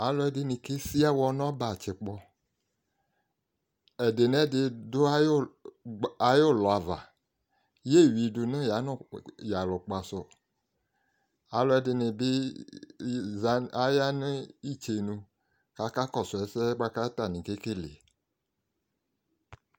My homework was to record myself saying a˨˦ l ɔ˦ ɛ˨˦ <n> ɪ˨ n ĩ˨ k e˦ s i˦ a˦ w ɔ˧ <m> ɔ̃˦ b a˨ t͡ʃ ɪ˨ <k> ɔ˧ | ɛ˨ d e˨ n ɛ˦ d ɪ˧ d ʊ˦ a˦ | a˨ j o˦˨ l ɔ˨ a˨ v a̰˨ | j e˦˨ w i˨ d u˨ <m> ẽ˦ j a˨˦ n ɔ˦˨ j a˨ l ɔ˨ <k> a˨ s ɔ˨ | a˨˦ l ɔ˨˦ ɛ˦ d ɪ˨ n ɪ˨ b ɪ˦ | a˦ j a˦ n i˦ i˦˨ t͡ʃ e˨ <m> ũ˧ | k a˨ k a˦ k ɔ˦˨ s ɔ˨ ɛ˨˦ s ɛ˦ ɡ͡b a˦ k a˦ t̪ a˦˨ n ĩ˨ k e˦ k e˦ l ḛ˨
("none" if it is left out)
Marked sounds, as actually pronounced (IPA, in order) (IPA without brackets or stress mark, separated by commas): d, n, k͡p, n, k͡p, n